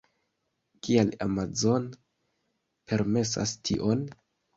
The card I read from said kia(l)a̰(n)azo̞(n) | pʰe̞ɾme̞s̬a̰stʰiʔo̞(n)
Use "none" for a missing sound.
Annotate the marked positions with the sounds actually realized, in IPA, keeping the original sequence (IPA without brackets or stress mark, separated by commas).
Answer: l, m, n, n